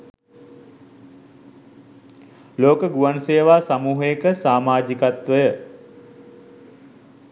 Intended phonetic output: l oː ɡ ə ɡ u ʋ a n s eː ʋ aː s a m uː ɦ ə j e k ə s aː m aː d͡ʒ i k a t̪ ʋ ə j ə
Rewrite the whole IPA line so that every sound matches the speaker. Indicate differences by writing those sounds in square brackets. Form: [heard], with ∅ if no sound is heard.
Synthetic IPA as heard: l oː [k] ə ɡ u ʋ a n s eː ʋ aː s a m uː ɦ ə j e k ə s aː m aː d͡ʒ i k a t̪ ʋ ə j ə